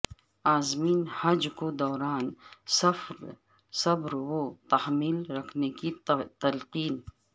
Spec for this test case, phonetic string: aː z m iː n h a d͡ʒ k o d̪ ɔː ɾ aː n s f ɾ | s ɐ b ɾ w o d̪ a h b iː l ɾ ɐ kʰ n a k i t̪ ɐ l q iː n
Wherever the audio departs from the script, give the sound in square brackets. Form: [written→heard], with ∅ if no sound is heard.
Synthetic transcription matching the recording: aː z m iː n h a d͡ʒ k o d̪ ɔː ɾ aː n s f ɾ | s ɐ b ɾ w o [d̪→t̪] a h [b→m] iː l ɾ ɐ kʰ n [a→e] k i t̪ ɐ l q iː n